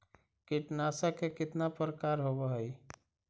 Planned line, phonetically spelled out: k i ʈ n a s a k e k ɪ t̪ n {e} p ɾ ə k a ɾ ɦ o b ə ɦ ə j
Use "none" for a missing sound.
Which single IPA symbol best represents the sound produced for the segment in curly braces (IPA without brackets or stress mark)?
a